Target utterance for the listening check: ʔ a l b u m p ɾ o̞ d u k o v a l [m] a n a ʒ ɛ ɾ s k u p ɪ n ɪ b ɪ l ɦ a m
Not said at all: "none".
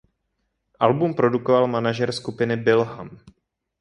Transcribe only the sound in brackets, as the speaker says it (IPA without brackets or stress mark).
m